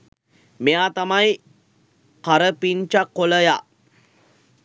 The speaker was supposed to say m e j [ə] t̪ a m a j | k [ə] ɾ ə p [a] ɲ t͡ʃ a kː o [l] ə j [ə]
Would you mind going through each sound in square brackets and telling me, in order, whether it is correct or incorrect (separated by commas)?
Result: incorrect, incorrect, incorrect, correct, incorrect